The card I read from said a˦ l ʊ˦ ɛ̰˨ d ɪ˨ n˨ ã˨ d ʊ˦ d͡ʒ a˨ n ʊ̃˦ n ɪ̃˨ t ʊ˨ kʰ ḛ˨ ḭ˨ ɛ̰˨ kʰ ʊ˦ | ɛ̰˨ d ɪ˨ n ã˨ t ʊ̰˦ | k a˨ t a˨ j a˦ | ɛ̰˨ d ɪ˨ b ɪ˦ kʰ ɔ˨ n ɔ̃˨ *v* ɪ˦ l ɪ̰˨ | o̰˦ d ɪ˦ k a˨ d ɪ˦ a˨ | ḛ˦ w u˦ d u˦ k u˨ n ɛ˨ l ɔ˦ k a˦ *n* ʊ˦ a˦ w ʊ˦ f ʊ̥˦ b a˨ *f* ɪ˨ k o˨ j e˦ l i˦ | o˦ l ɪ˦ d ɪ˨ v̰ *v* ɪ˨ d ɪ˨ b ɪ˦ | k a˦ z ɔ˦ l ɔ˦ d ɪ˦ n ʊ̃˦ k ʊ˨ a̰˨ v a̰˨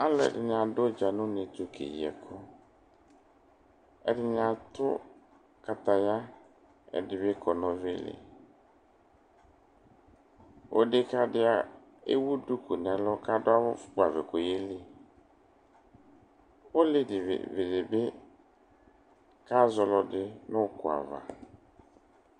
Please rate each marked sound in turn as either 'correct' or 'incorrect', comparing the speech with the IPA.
correct, incorrect: d, incorrect: v, correct

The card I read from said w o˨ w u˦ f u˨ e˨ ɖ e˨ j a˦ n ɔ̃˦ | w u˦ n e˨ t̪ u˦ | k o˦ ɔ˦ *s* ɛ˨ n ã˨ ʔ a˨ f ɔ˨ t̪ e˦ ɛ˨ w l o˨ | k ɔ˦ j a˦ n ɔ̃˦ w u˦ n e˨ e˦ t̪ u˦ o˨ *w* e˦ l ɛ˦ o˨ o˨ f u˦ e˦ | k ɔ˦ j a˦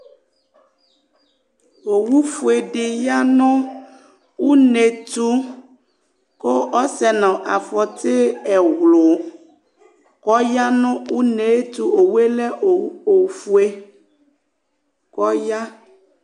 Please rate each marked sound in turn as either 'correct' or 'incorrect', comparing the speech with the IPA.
correct, correct

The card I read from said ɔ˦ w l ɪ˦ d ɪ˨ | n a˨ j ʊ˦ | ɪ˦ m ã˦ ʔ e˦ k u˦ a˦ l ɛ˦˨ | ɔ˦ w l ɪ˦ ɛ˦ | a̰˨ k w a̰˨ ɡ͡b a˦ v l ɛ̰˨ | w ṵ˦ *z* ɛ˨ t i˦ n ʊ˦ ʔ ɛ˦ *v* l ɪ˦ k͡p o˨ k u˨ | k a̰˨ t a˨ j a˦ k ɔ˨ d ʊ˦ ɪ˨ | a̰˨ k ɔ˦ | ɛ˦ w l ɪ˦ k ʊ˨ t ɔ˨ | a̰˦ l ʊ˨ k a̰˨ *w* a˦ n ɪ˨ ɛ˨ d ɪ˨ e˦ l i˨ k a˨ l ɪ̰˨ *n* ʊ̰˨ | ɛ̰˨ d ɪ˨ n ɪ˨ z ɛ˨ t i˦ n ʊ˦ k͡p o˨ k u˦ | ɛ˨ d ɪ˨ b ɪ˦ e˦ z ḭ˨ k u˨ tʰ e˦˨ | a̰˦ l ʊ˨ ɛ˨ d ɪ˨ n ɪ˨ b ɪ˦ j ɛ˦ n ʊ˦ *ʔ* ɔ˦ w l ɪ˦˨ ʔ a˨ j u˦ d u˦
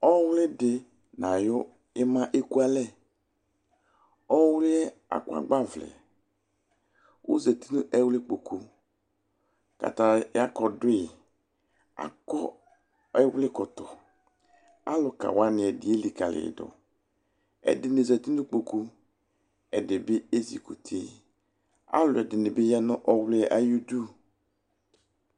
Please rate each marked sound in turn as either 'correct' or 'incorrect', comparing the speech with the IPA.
correct, incorrect: w, correct, incorrect: d, correct

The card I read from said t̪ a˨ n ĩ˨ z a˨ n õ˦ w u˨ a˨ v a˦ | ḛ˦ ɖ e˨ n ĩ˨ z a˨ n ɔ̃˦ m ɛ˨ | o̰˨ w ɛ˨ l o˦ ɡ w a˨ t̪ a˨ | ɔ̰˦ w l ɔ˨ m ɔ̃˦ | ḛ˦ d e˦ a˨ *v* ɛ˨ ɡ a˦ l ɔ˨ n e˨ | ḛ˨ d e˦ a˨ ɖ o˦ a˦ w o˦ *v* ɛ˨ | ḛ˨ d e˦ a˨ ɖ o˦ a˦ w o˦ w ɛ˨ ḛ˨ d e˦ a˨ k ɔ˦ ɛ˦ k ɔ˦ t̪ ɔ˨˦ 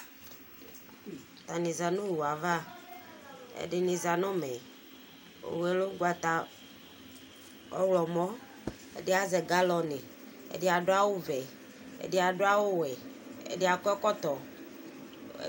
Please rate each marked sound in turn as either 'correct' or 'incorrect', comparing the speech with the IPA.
incorrect: z, correct

